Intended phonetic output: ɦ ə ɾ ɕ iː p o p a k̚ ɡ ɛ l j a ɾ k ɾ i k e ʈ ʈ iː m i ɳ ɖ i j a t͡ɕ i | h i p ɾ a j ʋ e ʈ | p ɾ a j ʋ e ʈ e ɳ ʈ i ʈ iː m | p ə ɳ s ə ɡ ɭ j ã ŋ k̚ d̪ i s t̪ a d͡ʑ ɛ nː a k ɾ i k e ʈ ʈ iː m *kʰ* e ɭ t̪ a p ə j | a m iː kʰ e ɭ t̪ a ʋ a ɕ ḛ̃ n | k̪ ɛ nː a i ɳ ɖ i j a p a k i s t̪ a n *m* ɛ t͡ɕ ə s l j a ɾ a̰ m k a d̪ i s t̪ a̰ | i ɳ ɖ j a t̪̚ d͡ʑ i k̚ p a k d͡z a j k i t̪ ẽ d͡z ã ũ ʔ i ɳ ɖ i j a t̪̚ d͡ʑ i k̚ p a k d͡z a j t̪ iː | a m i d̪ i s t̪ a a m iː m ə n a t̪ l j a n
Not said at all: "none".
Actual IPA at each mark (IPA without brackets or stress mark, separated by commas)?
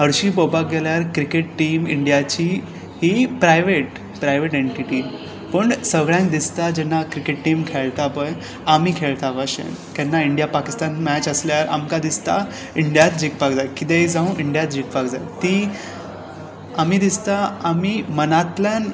kʰ, m